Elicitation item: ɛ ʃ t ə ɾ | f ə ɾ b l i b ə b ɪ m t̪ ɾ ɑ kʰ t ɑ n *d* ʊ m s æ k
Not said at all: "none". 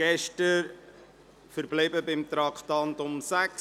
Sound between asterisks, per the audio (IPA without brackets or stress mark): t